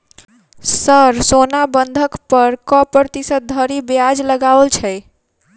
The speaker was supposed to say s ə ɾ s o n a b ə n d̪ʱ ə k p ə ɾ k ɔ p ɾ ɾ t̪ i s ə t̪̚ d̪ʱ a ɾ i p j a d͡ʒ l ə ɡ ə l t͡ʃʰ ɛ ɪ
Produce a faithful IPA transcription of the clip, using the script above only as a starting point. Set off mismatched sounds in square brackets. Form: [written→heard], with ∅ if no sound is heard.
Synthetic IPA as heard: s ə ɾ s o n a b ə n d̪ʱ ə k p ə ɾ k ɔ p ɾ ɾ t̪ i s ə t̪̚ d̪ʱ [a→ə] ɾ i [p→b] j a d͡ʒ l ə ɡ [ə→a] l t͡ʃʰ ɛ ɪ